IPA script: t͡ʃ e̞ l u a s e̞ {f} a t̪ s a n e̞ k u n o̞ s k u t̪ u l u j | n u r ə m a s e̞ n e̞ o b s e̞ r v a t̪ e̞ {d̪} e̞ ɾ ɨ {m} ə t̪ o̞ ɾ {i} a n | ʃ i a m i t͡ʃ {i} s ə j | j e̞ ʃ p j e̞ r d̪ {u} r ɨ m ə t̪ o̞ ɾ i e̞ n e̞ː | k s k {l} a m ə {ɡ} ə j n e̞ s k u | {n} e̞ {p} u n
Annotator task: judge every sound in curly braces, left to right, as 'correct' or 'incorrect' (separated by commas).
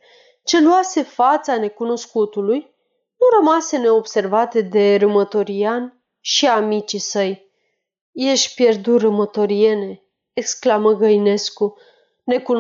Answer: correct, correct, correct, correct, correct, correct, correct, correct, correct, incorrect